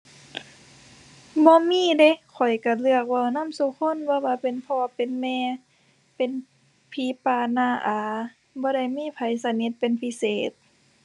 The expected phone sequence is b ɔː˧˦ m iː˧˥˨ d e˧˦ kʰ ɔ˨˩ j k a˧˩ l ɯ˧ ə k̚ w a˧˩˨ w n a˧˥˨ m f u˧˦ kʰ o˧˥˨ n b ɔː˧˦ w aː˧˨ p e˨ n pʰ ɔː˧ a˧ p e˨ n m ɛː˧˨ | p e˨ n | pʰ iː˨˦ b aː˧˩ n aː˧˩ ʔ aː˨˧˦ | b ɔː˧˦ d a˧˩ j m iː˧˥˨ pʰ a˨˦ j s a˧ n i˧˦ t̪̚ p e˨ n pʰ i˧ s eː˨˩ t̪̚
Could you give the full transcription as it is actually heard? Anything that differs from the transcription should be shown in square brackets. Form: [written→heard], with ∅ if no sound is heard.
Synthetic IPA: b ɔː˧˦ m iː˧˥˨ d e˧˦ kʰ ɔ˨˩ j k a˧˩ l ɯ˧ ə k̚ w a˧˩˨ w n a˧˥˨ m [f→s] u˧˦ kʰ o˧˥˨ n b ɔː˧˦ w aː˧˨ p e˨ n pʰ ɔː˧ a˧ p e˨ n m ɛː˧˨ | p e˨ n | pʰ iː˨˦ [b→p] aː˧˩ n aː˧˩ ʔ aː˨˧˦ | b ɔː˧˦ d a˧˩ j m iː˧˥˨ pʰ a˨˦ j s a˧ n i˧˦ t̪̚ p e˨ n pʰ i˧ s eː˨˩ t̪̚